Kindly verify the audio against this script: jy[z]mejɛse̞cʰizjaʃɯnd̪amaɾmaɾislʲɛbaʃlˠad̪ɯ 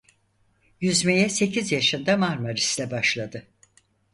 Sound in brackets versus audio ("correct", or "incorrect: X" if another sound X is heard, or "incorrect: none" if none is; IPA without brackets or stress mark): correct